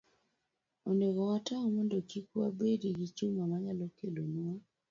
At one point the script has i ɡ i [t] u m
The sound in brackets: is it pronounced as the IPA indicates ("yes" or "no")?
no